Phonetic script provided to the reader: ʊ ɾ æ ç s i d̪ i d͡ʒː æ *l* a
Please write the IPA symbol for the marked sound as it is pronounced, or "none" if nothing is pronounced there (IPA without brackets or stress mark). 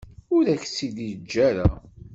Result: ɾ